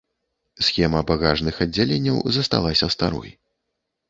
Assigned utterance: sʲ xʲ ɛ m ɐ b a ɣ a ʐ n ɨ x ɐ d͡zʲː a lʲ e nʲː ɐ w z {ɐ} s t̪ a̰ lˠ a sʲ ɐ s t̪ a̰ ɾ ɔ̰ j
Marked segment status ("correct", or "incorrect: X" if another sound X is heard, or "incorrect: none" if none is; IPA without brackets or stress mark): correct